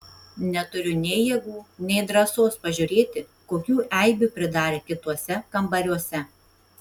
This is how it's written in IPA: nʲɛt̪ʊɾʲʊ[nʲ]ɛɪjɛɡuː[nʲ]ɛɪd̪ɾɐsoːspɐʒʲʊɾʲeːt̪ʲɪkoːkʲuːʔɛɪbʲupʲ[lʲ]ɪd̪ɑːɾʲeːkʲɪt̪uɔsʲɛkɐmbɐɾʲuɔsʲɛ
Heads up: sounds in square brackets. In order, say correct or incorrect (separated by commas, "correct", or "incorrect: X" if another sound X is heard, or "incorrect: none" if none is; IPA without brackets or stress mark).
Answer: correct, correct, incorrect: ɾʲ